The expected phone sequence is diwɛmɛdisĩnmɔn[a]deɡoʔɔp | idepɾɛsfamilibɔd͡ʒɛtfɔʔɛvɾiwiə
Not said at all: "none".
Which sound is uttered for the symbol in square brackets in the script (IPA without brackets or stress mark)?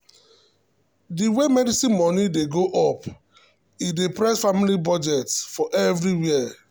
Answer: i